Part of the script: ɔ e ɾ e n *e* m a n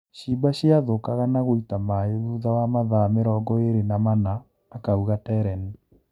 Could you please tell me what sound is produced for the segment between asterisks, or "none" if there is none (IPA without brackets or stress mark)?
a